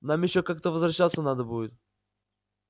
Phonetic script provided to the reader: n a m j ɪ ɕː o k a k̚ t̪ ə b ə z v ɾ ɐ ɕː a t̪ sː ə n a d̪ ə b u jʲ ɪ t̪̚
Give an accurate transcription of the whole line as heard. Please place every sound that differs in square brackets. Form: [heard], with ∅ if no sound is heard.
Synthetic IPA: n a m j ɪ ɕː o k a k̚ t̪ ə [v] ə z v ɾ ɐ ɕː a t̪ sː ə n a d̪ ə b u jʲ ɪ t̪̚